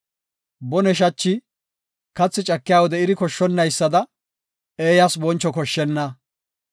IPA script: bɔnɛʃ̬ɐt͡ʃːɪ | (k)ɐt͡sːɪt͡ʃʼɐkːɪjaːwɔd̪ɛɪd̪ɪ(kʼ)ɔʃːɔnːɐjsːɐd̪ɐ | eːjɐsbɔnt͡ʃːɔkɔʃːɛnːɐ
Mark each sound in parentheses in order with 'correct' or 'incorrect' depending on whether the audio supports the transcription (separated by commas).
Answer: correct, incorrect